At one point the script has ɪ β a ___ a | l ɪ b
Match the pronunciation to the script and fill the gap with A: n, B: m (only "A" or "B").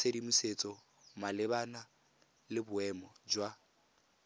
A